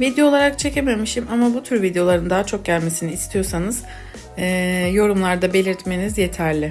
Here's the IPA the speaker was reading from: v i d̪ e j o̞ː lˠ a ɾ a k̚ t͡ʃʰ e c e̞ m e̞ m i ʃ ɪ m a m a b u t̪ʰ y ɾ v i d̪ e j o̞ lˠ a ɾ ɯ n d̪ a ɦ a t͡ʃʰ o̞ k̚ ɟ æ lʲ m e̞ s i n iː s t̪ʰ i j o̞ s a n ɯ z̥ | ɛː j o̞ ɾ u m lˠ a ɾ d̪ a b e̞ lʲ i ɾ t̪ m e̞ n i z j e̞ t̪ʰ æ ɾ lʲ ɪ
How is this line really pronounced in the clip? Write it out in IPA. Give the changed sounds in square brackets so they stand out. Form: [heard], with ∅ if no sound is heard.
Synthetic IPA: v i d̪ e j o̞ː lˠ a ɾ a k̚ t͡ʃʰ e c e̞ m e̞ m i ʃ [i] m a m a b u t̪ʰ y ɾ v i d̪ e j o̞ lˠ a ɾ ɯ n d̪ a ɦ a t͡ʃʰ o̞ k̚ ɟ æ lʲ m e̞ s i n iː s t̪ʰ i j o̞ s a n ɯ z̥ | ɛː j o̞ ɾ u m lˠ a ɾ d̪ a b e̞ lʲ i ɾ t̪ m e̞ n i z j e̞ t̪ʰ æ ɾ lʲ ɪ